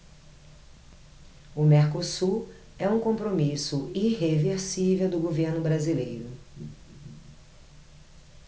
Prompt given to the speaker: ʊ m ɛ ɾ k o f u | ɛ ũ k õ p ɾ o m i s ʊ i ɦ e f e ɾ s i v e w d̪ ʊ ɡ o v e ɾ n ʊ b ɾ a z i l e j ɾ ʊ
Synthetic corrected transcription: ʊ m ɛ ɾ k o s u | ɛ ũ k õ p ɾ o m i s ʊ i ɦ e v e ɾ s i v e w d̪ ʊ ɡ o v e ɾ n ʊ b ɾ a z i l e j ɾ ʊ

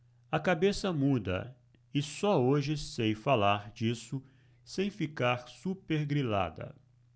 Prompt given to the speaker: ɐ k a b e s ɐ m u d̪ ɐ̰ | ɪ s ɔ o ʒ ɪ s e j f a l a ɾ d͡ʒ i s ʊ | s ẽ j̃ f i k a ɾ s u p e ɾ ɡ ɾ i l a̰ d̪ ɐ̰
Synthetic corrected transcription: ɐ k a b e s ɐ m u d̪ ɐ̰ | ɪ s ɔ o ʒ ɪ s e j f a l a ɾ d͡ʒ i s ʊ | s ẽ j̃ f i k a ɾ s u p e ɾ ɡ ɾ i l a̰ d̪ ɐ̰

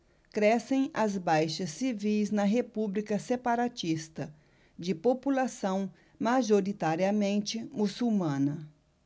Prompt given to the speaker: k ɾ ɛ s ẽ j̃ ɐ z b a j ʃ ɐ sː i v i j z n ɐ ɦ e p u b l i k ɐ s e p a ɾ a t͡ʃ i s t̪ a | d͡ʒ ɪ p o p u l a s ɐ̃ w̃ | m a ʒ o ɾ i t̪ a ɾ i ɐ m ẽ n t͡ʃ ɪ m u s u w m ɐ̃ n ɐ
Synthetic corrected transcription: k ɾ ɛ s ẽ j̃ ɐ z b a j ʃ ɐ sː i v i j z n ɐ ɦ e p u b l i k ɐ s e p a ɾ a t͡ʃ i s t̪ ɐ | d͡ʒ ɪ p o p u l a s ɐ̃ w̃ | m a ʒ o ɾ i t̪ a ɾ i ɐ m ẽ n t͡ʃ ɪ m u s u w m ɐ̃ n ɐ

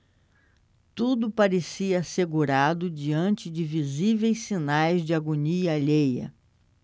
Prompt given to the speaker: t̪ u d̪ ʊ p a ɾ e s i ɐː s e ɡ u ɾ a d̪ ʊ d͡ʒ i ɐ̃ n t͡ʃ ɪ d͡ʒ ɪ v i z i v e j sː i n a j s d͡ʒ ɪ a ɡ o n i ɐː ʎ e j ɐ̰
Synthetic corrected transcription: t̪ u d̪ ʊ p a ɾ e s i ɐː s e ɡ u ɾ a d̪ ʊ d͡ʒ i ɐ̃ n t͡ʃ ɪ d͡ʒ ɪ v i z i v e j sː i n a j z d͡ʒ ɪ a ɡ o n i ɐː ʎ e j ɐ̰

